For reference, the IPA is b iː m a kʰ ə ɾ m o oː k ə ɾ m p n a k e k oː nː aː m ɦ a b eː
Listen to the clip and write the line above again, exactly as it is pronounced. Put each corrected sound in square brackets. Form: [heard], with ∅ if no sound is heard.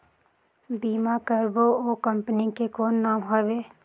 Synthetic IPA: b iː m a [k] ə ɾ [b] o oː k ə [∅] m p n [i] k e k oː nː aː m ɦ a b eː